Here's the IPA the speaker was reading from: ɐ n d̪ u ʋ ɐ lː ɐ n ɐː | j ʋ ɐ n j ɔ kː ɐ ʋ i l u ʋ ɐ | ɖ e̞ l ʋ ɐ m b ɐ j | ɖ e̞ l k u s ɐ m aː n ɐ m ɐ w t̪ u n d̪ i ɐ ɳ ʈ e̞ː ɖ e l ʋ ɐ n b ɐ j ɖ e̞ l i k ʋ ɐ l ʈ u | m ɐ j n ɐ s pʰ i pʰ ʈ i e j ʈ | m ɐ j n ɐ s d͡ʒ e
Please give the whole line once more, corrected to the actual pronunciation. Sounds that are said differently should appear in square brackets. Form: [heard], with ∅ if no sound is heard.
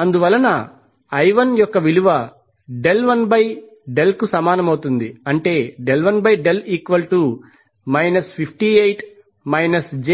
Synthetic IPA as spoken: ɐ n d̪ u ʋ ɐ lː ɐ n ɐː | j ʋ ɐ n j ɔ kː ɐ ʋ i l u ʋ ɐ | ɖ e̞ l ʋ ɐ [n] b ɐ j | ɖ e̞ l k u s ɐ m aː n ɐ m ɐ w t̪ u n d̪ i ɐ ɳ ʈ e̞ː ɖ e l ʋ ɐ n b ɐ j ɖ e̞ l [iː] k ʋ ɐ l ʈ u | m ɐ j n ɐ s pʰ i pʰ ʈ i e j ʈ | m ɐ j n ɐ s d͡ʒ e